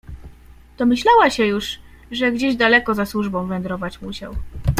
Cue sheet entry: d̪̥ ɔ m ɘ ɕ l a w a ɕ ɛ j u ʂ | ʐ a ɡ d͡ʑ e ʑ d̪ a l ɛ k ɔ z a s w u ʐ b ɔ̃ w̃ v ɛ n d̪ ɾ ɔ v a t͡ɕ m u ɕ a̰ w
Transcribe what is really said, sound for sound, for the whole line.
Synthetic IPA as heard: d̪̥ ɔ m ɘ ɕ l a w a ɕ ɛ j u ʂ | ʐ ɛ ɡ d͡ʑ e ʑ d̪ a l ɛ k ɔ z a s w u ʐ b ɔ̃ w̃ v ɛ n d̪ ɾ ɔ v a t͡ɕ m u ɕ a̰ w